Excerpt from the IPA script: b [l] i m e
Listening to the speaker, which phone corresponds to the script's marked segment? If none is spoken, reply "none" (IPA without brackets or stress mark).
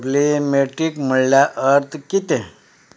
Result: l